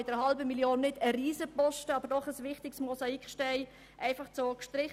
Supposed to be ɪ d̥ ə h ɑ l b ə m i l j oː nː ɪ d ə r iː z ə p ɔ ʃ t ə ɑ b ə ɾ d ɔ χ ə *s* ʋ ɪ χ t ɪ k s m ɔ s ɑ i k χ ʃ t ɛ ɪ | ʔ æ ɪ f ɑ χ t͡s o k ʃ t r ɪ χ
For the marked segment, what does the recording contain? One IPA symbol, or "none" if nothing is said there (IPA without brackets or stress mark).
s